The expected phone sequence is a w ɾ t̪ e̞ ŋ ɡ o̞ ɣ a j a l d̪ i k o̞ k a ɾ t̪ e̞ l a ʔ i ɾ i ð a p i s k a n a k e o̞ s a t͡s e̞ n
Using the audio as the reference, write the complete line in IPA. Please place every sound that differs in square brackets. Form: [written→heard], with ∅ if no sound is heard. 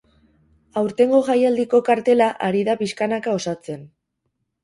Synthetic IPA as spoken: a w ɾ t̪ e̞ ŋ ɡ o̞ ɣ a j a l d̪ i k o̞ k a ɾ t̪ e̞ l a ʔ [i→a] ɾ i ð a p i s k a n a k [e→a] o̞ s a t͡s e̞ n